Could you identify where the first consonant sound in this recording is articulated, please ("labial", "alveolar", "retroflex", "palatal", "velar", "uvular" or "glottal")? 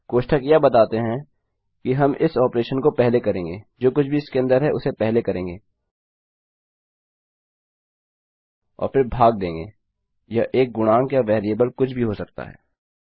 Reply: velar